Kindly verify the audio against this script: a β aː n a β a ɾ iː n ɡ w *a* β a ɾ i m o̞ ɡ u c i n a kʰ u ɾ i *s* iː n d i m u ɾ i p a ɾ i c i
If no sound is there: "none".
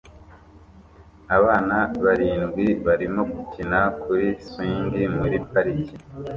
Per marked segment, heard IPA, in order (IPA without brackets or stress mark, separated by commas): i, s